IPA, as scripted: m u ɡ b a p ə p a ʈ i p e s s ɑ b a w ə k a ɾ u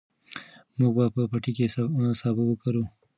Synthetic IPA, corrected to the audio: m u ɡ b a p ə p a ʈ i k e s s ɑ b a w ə k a ɾ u